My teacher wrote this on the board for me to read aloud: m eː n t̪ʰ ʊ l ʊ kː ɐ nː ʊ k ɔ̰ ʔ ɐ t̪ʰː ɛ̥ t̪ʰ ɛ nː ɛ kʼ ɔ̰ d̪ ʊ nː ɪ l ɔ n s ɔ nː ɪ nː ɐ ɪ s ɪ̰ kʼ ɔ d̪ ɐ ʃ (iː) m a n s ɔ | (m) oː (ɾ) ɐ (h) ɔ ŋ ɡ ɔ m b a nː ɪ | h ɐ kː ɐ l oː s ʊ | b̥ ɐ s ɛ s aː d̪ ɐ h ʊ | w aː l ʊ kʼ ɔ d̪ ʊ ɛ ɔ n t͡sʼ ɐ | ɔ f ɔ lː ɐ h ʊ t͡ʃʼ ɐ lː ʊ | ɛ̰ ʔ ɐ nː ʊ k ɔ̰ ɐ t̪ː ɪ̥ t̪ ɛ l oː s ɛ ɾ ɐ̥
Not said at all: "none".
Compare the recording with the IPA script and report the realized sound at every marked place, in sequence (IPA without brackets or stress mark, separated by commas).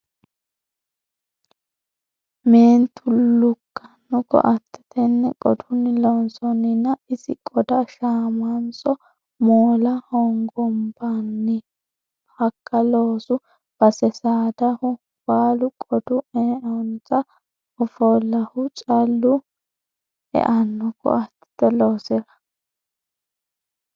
aː, m, l, h